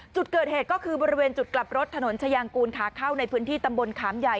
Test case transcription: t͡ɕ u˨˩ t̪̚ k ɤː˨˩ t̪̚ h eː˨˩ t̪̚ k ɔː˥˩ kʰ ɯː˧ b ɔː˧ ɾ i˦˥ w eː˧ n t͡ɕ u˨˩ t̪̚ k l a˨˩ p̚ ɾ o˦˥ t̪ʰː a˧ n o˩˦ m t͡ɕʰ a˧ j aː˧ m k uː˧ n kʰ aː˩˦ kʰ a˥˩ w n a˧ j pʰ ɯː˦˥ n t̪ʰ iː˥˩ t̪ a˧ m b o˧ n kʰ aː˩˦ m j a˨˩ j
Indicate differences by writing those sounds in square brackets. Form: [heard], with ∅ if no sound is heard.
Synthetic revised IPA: t͡ɕ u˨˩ t̪̚ k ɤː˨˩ t̪̚ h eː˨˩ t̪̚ k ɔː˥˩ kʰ ɯː˧ b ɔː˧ ɾ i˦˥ w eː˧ n t͡ɕ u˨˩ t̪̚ k l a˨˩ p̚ ɾ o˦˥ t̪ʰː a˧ n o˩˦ [n] t͡ɕʰ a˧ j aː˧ [ŋ] k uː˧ n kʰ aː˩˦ kʰ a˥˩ w n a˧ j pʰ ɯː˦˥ n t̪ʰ iː˥˩ t̪ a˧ m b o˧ n kʰ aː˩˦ m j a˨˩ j